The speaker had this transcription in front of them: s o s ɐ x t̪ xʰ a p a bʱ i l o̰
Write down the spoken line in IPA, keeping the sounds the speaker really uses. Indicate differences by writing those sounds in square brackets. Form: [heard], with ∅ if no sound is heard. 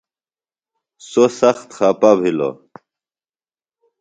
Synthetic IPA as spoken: s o s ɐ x t̪ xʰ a p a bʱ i l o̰